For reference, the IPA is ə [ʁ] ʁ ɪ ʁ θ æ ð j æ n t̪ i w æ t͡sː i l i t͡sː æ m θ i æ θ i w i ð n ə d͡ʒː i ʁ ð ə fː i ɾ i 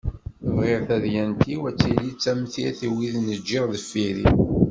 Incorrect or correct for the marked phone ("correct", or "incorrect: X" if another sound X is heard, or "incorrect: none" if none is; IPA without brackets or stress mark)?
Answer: incorrect: v